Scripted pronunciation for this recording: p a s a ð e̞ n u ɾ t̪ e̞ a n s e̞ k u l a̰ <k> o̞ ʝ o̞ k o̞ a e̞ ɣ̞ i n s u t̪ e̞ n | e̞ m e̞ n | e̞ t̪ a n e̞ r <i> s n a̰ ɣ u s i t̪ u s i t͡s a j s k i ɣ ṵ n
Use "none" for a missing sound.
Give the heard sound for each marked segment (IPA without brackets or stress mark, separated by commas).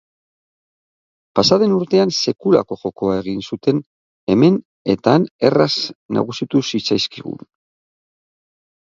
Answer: k, a